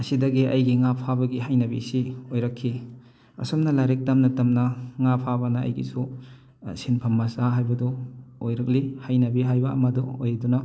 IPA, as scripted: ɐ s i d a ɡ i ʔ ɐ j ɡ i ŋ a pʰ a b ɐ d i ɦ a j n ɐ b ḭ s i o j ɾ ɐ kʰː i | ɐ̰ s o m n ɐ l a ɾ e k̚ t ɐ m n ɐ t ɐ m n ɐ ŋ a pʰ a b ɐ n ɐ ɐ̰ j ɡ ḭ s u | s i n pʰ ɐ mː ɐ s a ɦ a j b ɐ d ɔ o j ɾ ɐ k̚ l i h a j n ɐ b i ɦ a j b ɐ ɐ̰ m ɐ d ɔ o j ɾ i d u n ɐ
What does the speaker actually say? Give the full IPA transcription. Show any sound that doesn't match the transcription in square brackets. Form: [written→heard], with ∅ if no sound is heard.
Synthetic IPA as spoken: ɐ s i d [a→ɐ] ɡ i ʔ ɐ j ɡ i ŋ a pʰ a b ɐ [d→ɡ] i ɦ a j n ɐ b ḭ s i o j ɾ ɐ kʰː i | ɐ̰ s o m n ɐ l a ɾ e k̚ t ɐ m n ɐ t ɐ m n ɐ ŋ a pʰ a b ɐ n ɐ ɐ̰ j ɡ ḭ s u | s i n pʰ ɐ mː ɐ s a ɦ a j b ɐ d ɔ o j ɾ ɐ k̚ l i h a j n ɐ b i ɦ a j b ɐ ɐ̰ m ɐ d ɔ o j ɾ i d u n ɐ